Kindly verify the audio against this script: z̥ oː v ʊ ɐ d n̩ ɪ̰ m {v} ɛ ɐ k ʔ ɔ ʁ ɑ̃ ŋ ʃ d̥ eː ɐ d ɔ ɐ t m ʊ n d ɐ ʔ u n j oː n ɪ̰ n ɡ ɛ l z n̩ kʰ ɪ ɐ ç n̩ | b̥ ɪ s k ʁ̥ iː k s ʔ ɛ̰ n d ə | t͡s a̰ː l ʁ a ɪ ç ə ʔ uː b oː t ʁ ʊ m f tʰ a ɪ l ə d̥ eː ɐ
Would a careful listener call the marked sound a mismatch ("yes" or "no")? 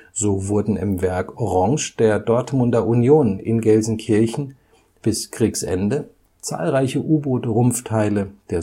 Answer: no